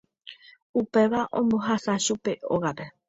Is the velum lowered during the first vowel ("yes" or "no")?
no